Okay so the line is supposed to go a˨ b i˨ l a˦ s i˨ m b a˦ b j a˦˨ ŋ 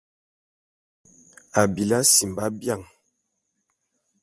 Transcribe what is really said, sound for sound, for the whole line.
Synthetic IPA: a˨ b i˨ l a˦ s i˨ m b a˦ b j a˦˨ ŋ